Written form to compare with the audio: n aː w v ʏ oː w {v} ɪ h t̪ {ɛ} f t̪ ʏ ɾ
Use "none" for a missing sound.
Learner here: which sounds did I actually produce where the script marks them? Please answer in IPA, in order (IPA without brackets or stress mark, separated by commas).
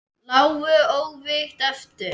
v, ɛ